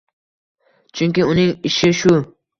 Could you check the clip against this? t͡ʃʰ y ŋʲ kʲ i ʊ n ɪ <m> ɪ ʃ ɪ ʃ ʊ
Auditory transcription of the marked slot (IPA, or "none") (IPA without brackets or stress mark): ŋ